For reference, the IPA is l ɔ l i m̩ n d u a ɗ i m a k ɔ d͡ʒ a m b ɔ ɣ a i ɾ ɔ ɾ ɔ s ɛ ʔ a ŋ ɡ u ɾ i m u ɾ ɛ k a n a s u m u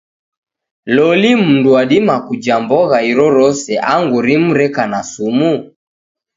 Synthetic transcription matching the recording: l ɔ l i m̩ n d u a ɗ i m a k u d͡ʒ a m b ɔ ɣ a i ɾ ɔ ɾ ɔ s ɛ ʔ a ŋ ɡ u ɾ i m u ɾ ɛ k a n a s u m u